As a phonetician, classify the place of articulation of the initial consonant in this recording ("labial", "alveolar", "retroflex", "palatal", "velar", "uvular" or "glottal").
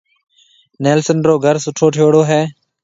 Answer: alveolar